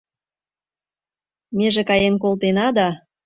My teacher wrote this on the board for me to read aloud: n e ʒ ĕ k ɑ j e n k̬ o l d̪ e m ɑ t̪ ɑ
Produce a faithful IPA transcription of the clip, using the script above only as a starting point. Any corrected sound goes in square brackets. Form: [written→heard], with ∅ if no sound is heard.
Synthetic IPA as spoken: [n→m] e ʒ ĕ k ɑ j e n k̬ o l [d̪→t̪] e [m→n] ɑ [t̪→d̪] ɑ